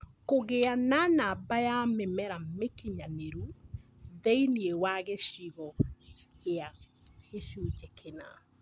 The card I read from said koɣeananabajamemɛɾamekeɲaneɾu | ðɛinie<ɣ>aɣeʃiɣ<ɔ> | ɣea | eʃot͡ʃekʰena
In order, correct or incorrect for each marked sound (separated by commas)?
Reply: incorrect, correct